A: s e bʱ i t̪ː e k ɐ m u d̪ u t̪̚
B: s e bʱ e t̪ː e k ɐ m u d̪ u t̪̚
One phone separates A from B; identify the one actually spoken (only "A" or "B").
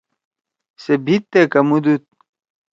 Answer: A